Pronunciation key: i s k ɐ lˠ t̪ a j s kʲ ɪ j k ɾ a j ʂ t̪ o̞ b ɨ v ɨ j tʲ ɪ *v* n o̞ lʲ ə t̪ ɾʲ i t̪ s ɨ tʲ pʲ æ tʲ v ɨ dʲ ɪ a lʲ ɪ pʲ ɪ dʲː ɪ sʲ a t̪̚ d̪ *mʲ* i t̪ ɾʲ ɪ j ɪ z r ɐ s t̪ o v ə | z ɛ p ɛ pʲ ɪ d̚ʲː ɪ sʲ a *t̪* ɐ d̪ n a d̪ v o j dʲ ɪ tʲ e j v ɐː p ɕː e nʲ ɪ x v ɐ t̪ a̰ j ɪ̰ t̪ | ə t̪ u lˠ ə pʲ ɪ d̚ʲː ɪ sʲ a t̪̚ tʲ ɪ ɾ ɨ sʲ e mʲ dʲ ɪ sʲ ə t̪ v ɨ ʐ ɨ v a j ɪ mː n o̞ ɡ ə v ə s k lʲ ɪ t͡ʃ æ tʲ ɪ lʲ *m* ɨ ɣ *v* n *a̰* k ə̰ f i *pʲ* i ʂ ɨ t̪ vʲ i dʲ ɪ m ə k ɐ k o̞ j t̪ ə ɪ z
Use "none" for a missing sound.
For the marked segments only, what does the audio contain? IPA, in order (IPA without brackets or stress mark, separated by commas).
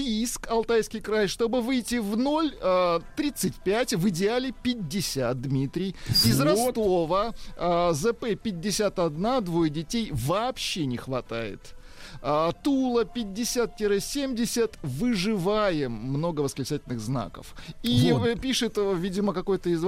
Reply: v, mʲ, t̪, n, z, a̰, pʲ